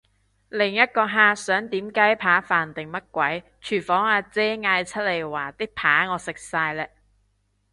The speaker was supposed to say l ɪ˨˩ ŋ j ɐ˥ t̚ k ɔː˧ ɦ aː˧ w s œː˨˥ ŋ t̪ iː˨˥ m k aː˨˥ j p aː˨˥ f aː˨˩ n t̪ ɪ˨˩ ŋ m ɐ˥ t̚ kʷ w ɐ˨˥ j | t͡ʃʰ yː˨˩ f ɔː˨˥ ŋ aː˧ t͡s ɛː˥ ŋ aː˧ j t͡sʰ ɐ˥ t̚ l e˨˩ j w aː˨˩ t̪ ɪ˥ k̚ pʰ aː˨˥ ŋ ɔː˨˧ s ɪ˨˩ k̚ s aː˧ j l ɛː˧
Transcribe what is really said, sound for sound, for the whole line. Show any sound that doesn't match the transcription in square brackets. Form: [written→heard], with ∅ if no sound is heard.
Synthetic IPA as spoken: l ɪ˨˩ ŋ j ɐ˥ t̚ k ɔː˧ ɦ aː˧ [w→∅] s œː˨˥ ŋ t̪ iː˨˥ m k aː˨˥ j [p→pʰ] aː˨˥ f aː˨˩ n t̪ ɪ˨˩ ŋ m ɐ˥ t̚ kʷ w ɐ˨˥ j | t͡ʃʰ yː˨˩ f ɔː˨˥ ŋ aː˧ t͡s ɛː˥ ŋ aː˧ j t͡sʰ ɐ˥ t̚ l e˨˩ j w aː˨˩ t̪ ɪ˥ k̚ pʰ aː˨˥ ŋ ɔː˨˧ s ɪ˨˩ k̚ s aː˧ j l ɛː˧